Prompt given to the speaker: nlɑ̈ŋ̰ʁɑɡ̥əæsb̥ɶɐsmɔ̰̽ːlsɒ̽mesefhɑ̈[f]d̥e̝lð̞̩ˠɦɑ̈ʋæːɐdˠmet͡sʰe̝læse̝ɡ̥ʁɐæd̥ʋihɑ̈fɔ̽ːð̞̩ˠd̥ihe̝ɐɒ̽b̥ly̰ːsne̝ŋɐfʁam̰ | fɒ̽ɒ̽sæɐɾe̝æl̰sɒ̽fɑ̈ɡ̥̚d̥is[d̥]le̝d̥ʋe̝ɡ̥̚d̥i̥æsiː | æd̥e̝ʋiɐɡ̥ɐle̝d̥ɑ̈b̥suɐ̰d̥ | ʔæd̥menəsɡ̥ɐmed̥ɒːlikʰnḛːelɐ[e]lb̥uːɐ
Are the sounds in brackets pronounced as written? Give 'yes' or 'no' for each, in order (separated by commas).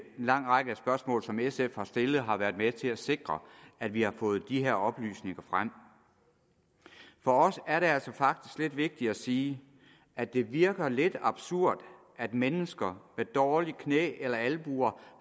no, no, no